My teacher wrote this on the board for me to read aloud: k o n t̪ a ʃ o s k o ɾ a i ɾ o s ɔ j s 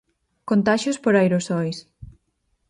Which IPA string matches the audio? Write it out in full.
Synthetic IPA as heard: k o n t̪ a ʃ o s p o ɾ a j ɾ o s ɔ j s